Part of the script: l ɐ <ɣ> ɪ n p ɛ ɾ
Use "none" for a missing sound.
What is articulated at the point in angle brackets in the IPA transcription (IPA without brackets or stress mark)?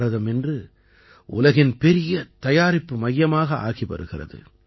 ɣ